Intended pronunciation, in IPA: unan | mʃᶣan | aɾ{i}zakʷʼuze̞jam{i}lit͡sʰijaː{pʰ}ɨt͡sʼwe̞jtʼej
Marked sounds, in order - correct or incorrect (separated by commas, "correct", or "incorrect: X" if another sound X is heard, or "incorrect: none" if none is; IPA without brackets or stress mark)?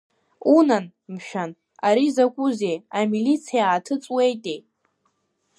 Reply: correct, correct, incorrect: tʰ